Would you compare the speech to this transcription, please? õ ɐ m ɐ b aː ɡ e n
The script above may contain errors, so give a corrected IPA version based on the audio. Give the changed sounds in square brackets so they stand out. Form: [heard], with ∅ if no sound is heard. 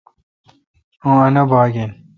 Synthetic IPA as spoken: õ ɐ [n] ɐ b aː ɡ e n